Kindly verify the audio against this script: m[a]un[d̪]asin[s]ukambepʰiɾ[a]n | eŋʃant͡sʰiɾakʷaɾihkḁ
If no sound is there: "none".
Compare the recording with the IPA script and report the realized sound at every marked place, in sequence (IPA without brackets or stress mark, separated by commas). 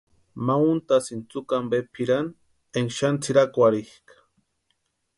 a, t̪, t͡s, a